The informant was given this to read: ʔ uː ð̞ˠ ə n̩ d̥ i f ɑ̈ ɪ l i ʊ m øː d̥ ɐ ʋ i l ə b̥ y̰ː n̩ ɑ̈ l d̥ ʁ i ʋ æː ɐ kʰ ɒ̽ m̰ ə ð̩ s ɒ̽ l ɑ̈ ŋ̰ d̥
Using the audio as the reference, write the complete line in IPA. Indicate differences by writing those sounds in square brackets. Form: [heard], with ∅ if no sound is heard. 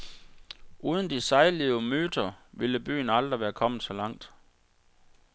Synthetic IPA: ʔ uː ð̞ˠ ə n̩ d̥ i [s] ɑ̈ ɪ l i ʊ m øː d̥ ɐ ʋ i l ə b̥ y̰ː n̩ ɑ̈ l d̥ ʁ i ʋ æː ɐ kʰ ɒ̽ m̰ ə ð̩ s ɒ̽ l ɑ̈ ŋ̰ d̥